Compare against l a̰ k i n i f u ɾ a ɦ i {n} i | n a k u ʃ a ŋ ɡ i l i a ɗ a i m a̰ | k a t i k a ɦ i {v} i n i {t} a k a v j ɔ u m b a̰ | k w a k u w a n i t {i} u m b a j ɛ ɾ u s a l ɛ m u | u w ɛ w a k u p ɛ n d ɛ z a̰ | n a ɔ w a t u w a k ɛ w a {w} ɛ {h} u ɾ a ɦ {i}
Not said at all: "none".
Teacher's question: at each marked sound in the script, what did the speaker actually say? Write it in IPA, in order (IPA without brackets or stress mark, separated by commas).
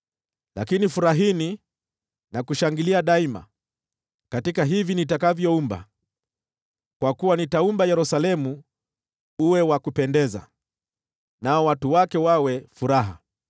n, v, t, a, w, f, a